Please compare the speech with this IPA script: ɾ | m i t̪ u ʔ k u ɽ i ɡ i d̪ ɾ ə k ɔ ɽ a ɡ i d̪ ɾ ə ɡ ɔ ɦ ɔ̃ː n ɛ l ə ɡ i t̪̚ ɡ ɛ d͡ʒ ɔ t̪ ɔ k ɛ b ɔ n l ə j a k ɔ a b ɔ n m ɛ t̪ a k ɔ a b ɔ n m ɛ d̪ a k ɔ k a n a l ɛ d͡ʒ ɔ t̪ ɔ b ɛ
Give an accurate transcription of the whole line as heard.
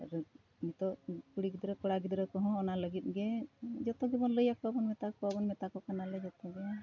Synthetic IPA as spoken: ɾ | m i t̪ ɔ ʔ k u ɽ i ɡ i d̪ ɾ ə k ɔ ɽ a ɡ i d̪ ɾ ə k ɔ ɦ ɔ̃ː n a l ə ɡ i t̪̚ ɡ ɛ d͡ʒ ɔ t̪ ɔ ɡ ɛ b ɔ n l ə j a k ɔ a b ɔ n m ɛ t̪ a k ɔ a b ɔ n m ɛ t̪ a k ɔ k a n a l ɛ d͡ʒ ɔ t̪ ɔ ɡ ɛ